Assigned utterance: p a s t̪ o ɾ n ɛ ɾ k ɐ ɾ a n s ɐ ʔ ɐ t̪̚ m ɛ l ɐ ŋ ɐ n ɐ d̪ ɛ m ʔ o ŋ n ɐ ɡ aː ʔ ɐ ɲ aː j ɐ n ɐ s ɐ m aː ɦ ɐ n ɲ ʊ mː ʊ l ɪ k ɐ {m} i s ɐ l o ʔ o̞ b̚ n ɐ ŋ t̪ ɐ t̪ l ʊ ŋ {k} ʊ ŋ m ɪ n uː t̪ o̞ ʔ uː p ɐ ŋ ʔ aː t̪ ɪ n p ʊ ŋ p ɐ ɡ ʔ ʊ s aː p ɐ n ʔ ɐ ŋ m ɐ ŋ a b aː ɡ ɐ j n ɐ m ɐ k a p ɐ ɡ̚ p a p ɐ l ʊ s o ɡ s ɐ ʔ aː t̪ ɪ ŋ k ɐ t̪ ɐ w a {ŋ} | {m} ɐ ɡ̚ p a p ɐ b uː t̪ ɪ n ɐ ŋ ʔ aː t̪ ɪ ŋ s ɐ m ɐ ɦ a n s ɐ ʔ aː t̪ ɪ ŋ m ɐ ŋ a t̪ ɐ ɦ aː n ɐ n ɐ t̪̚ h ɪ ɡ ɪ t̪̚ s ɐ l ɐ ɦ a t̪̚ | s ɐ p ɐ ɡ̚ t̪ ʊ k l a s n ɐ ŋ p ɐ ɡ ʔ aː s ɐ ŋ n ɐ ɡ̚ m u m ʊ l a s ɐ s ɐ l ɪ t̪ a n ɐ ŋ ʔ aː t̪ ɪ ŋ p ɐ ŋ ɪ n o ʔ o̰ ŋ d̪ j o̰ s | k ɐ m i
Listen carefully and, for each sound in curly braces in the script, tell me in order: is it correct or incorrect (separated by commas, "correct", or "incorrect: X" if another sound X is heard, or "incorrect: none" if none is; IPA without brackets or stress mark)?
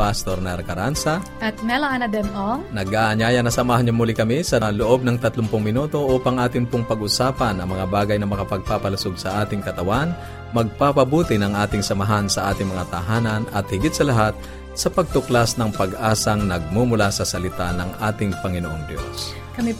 correct, incorrect: p, incorrect: n, correct